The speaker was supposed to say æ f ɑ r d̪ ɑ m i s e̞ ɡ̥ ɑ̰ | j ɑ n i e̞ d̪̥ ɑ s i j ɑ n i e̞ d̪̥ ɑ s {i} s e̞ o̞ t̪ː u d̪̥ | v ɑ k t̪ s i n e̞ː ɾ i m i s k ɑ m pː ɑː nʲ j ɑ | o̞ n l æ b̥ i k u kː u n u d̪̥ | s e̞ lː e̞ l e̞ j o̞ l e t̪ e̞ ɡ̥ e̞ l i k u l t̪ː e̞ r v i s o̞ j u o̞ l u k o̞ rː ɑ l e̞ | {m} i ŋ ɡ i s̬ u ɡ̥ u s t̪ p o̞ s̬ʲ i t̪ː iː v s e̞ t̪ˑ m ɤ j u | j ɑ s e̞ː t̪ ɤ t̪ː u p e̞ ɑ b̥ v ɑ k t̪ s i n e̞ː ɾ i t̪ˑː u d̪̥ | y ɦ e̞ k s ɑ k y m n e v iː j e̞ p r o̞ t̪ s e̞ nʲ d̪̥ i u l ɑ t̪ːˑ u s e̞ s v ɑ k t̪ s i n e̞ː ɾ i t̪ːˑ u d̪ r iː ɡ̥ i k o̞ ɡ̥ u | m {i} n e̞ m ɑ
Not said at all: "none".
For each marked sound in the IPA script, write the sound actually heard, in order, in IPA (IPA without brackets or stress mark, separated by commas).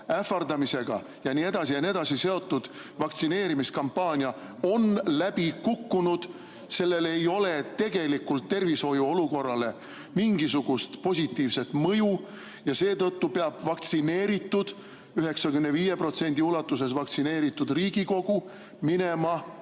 i, m, i